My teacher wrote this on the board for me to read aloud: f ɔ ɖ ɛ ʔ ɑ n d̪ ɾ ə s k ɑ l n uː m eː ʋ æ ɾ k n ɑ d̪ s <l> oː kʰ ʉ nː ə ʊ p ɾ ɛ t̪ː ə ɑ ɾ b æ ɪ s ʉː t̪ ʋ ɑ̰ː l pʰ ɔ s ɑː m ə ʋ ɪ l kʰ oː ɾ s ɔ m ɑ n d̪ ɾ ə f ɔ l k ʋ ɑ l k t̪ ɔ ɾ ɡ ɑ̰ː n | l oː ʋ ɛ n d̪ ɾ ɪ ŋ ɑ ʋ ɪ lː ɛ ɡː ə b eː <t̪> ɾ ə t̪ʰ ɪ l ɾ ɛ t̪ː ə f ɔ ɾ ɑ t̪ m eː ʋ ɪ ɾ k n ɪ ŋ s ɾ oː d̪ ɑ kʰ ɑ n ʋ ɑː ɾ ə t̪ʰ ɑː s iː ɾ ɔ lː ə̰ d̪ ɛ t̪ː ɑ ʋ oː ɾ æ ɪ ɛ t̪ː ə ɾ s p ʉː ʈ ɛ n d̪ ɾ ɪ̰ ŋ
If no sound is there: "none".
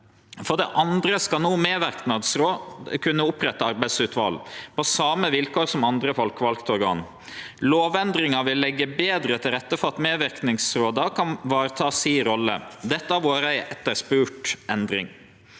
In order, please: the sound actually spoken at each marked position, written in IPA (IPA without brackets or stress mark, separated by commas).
ɾ, d̪